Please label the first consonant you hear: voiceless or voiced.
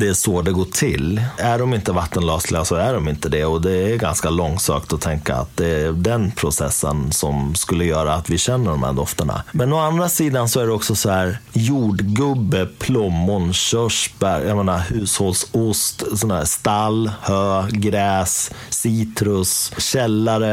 voiced